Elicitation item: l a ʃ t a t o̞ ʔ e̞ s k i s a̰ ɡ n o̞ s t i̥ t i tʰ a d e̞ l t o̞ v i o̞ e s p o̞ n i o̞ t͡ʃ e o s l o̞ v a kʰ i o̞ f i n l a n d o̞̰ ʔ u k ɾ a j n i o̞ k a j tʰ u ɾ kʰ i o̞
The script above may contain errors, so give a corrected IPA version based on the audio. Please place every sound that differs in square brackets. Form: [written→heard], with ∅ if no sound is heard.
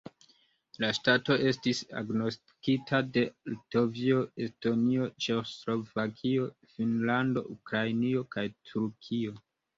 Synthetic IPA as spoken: l a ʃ t a t o̞ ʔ e̞ s [k→t] i s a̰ ɡ n o̞ s t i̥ [t→k] i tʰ a d e̞ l t o̞ v i o̞ e s [p→t] o̞ n i o̞ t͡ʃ e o s l o̞ v a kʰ i o̞ f i n l a n d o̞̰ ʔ u k ɾ a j n i o̞ k a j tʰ u ɾ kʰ i o̞